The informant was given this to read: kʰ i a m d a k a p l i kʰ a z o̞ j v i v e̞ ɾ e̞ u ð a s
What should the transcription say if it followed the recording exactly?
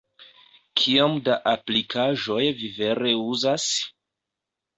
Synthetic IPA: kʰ i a m d a ʔ a p l i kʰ a ʒ o̞ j v i v e̞ ɾ e̞ u z a s